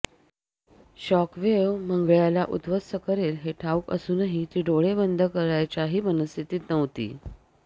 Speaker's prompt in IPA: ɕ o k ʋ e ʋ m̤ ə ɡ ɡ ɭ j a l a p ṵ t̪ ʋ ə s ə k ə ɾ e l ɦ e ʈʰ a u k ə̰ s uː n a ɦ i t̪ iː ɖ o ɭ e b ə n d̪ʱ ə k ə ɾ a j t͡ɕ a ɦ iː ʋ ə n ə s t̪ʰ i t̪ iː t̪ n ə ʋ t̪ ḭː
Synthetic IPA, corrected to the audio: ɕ ɔ k ʋ e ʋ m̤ ə ŋ ɡ ɭ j a l a ʔ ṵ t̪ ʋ ə s ə k ə ɾ e l ɦ e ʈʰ a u k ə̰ s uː n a ɦ i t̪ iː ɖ o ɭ e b ə n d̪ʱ ə k ə ɾ a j t͡ɕ a ɦ iː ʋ ə n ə s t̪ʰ i t̪ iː t̪ n ə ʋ t̪ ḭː